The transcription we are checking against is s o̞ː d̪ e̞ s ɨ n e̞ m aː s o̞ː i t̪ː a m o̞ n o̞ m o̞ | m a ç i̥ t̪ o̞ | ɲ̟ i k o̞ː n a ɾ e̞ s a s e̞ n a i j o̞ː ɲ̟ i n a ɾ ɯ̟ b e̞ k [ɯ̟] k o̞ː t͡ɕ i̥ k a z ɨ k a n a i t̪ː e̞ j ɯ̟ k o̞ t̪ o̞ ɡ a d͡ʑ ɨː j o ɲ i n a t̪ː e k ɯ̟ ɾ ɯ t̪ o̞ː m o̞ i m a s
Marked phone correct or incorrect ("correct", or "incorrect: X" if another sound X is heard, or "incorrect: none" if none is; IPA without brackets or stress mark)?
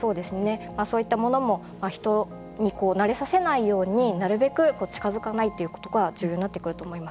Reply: correct